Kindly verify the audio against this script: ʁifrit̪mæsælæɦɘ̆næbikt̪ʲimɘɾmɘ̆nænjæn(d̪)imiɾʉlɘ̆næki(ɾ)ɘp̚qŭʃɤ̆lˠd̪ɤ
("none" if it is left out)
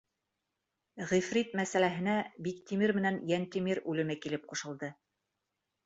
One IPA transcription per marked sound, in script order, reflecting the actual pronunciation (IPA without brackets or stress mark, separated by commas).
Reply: t̪, l